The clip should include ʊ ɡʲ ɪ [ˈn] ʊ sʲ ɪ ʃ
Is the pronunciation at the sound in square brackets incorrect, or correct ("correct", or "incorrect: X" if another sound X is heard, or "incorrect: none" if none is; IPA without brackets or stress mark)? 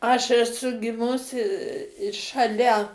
incorrect: m